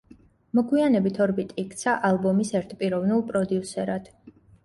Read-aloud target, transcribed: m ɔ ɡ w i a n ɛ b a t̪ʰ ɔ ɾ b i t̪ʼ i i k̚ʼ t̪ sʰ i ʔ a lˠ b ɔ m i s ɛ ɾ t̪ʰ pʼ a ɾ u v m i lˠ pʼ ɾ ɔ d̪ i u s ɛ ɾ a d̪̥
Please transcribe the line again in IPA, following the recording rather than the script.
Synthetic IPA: m ɔ ɡ w i a n ɛ b i t̪ʰ ɔ ɾ b i t̪ʼ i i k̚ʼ t̪ sʰ a ʔ a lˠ b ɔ m i s ɛ ɾ t̪ʰ pʼ i ɾ ɔ v n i lˠ pʼ ɾ ɔ d̪ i u s ɛ ɾ a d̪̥

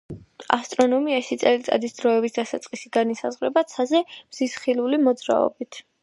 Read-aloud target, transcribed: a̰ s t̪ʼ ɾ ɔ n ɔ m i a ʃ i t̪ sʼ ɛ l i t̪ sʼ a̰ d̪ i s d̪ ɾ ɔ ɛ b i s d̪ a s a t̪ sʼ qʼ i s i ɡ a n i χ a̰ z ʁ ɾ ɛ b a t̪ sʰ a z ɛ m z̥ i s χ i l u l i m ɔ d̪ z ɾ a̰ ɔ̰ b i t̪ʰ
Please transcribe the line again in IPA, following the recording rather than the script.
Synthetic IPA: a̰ s t̪ʼ ɾ ɔ n ɔ m i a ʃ i t̪ sʼ ɛ l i t̪ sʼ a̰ d̪ i s d̪ ɾ ɔ ɛ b i s d̪ a s a t̪ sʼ qʼ i s i ɡ a n i s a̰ z ʁ ɾ ɛ b a t̪ sʰ a z ɛ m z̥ i s χ i l u l i m ɔ d̪ z ɾ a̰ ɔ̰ b i t̪ʰ

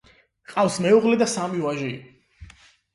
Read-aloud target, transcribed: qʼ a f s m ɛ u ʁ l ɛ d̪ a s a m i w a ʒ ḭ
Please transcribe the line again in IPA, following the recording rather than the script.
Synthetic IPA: qʼ a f s m ɛ u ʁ l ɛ d̪ a s a m i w a ʒ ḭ

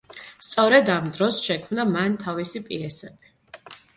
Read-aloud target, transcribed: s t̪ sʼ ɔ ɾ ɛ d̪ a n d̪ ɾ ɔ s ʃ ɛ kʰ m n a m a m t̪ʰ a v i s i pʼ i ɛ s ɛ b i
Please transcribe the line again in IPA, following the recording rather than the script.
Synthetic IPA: s t̪ sʼ ɔ ɾ ɛ d̪ a m d̪ ɾ ɔ s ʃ ɛ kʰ m n a m a n t̪ʰ a v i s i pʼ i ɛ s ɛ b i

